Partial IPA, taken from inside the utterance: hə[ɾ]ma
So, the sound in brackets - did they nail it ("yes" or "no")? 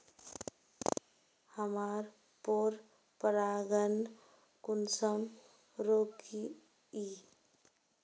no